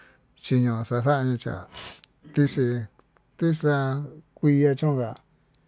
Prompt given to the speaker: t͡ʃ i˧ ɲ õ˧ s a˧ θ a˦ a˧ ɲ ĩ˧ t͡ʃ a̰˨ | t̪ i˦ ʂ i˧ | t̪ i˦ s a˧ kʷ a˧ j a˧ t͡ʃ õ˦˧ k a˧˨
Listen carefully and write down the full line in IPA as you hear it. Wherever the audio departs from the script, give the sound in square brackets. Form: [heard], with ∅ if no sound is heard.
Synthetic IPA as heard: t͡ʃ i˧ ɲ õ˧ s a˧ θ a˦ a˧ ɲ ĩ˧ t͡ʃ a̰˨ | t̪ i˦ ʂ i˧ | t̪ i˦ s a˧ kʷ [i˧] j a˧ t͡ʃ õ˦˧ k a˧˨